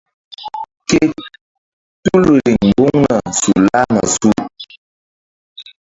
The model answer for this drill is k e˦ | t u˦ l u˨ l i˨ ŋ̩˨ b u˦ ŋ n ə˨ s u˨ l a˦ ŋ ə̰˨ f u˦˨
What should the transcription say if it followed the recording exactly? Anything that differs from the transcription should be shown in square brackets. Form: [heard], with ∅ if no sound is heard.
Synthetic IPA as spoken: k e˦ | t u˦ l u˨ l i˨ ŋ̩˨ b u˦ ŋ n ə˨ s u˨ l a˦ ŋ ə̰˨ [s] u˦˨